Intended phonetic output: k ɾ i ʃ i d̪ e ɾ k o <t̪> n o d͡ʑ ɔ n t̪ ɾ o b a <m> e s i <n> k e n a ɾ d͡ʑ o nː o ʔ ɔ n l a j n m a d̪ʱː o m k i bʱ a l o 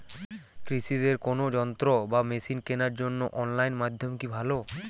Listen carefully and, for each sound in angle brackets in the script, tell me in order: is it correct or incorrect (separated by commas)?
incorrect, correct, correct